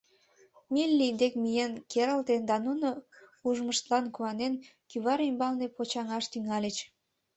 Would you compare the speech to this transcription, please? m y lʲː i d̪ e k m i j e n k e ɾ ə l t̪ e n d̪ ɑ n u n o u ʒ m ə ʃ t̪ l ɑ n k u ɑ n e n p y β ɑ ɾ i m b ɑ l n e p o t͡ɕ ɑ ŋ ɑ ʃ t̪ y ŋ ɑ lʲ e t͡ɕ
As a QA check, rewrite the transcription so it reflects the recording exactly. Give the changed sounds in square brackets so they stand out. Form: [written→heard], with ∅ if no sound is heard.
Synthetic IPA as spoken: m [y→i] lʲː i d̪ e k m i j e n k e ɾ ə l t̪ e n d̪ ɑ n u n o u ʒ m ə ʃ t̪ l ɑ n k u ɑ n e n [p→k] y β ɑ ɾ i m b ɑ l n e p o t͡ɕ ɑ ŋ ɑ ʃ t̪ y ŋ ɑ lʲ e t͡ɕ